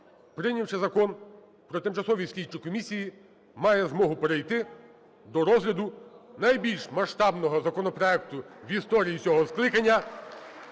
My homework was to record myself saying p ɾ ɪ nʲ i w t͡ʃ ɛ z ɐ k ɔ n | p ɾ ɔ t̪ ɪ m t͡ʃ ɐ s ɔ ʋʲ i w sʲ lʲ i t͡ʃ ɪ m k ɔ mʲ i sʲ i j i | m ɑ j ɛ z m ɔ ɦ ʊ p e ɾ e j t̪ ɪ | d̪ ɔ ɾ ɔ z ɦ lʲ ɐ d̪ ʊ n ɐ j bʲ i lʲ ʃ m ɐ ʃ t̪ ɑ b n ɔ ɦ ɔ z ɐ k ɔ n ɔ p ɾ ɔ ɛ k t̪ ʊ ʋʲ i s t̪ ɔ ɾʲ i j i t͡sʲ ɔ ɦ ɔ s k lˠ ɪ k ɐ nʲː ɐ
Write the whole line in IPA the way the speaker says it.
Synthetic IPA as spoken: p ɾ ɪ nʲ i w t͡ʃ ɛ z ɐ k ɔ n | p ɾ ɔ t̪ ɪ m t͡ʃ ɐ s ɔ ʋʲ i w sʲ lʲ i t͡ʃ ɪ k ɔ mʲ i sʲ i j i | m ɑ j ɛ z m ɔ ɦ ʊ p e ɾ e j t̪ ɪ | d̪ ɔ ɾ ɔ z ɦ lʲ ɐ d̪ ʊ n ɐ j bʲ i lʲ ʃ m ɐ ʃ t̪ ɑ b n ɔ ɦ ɔ z ɐ k ɔ n ɔ p ɾ ɔ ɛ k t̪ ʊ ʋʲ i s t̪ ɔ ɾʲ i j i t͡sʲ ɔ ɦ ɔ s k lˠ ɪ k ɐ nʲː ɐ